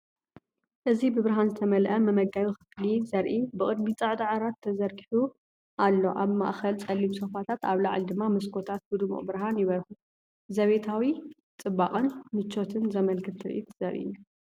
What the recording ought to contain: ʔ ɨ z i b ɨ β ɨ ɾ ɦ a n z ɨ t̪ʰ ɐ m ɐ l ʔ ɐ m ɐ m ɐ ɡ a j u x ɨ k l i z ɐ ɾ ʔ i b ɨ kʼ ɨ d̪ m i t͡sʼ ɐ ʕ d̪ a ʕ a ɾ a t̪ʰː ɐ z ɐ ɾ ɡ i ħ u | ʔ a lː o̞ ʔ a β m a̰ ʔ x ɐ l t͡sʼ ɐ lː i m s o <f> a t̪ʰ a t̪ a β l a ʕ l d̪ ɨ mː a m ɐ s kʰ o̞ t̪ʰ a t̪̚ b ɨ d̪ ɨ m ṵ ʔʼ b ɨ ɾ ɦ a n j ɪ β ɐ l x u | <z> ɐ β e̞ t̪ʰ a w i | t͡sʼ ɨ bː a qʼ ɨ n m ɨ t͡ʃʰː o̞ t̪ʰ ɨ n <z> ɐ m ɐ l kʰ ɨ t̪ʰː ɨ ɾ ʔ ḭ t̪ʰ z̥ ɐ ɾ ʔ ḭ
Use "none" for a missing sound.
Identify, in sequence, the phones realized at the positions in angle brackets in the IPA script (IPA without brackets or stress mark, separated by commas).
f, z, z